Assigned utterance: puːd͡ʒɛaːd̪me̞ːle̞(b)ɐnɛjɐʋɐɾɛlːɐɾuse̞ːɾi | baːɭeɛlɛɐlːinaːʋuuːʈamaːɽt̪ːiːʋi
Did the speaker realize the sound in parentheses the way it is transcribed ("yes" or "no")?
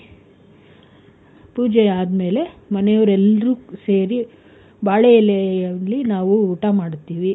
no